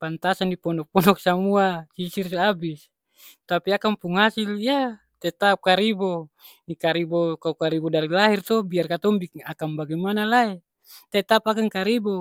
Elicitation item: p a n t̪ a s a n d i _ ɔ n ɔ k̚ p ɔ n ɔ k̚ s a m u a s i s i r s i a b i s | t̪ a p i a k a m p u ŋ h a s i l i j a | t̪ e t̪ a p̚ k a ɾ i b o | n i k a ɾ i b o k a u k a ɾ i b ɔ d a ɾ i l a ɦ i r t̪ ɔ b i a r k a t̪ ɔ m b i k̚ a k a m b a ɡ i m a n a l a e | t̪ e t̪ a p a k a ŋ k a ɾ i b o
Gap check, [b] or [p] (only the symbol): p